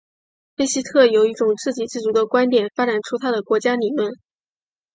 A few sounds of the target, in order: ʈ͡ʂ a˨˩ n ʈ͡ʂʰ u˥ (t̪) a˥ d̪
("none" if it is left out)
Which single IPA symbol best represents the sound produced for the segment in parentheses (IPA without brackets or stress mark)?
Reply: t̪ʰ